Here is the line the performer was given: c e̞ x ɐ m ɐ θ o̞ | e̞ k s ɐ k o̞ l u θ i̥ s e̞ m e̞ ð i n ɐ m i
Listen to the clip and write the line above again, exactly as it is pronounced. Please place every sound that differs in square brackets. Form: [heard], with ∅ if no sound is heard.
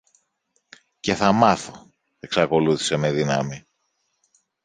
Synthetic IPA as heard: c e̞ [θ] ɐ m ɐ θ o̞ | e̞ k s ɐ k o̞ l u θ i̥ s e̞ m e̞ ð i n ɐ m i